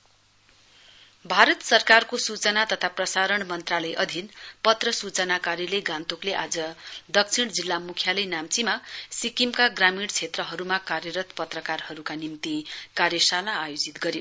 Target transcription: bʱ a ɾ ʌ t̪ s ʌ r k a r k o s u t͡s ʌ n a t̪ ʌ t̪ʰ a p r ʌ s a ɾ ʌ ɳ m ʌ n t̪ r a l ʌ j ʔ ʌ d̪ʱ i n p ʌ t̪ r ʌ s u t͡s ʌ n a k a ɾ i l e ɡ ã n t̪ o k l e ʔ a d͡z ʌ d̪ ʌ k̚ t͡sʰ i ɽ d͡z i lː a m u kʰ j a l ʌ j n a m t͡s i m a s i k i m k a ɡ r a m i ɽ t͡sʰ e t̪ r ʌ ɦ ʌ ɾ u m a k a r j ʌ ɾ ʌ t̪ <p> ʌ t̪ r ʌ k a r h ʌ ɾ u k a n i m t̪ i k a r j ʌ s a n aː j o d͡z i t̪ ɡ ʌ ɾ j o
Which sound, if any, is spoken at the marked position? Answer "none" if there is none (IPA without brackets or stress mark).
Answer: p